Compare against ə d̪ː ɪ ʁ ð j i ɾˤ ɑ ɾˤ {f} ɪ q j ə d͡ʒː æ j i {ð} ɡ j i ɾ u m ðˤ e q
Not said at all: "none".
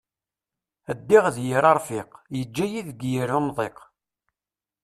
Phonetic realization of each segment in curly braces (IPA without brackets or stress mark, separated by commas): f, ð